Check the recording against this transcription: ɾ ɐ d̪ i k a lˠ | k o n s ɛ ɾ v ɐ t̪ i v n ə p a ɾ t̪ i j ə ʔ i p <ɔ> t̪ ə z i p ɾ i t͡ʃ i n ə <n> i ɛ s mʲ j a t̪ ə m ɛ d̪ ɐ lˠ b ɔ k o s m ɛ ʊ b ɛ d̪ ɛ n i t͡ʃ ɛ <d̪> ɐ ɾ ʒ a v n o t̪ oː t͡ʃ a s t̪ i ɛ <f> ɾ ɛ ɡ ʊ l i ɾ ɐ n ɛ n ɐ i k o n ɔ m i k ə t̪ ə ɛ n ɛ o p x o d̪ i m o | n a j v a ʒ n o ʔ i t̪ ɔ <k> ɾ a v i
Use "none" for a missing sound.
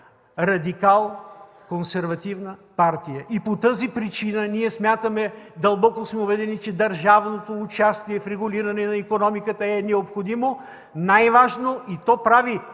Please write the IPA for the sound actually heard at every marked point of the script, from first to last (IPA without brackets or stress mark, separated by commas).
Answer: o, n, d̪, f, p